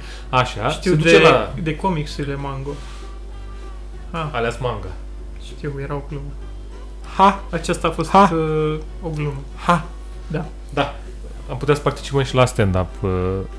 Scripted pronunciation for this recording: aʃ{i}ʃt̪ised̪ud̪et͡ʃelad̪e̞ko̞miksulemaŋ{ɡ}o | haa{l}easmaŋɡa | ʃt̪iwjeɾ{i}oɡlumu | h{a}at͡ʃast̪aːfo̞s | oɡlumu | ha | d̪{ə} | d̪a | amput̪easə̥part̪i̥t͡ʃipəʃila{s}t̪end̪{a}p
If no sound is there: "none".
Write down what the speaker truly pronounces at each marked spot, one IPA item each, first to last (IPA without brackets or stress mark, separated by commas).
a, ɡ, l, a, a, a, s, a